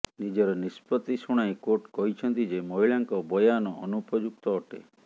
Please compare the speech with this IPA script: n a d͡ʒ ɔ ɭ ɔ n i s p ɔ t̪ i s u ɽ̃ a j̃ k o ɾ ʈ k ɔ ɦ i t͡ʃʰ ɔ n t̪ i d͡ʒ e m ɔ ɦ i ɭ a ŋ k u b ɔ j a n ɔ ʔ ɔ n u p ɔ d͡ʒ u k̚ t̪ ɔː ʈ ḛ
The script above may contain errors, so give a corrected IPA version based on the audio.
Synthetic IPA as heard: n i d͡ʒ ɔ ɾ ɔ n i s p ɔ t̪ i s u ɽ̃ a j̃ k o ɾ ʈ k ɔ ɦ i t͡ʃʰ ɔ n t̪ i d͡ʒ e m ɔ ɦ i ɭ a ŋ k ɔ b ɔ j a n ɔ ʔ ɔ n u p ɔ d͡ʒ u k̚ t̪ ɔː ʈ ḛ